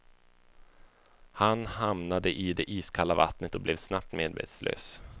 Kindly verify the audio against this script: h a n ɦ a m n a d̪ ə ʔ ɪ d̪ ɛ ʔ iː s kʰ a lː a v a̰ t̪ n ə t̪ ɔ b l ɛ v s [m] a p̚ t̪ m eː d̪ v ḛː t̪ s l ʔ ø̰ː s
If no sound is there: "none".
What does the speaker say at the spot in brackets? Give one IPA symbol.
n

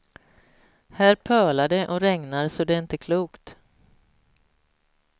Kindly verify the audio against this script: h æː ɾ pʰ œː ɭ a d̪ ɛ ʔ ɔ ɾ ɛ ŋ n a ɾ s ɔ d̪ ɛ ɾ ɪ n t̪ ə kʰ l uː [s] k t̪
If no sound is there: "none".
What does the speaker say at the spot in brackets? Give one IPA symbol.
none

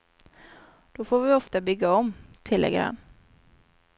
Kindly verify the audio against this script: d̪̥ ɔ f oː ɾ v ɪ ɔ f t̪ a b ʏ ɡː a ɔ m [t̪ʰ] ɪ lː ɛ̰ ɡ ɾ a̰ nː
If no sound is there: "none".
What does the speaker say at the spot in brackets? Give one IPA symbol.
t̪ʰ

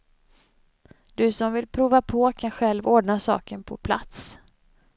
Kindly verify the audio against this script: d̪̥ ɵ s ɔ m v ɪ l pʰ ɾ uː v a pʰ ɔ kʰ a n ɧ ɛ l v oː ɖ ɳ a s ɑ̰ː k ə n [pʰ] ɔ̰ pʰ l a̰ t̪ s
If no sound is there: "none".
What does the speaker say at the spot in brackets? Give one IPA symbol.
pʰ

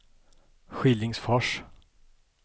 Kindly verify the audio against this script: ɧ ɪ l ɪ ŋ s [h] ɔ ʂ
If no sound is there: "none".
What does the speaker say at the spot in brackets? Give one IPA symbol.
f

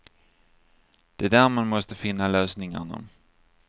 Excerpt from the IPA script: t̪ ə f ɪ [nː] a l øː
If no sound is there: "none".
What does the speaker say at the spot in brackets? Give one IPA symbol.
nː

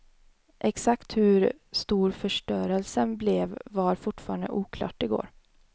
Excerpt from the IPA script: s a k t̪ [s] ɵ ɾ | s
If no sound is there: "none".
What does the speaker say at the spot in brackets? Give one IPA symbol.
h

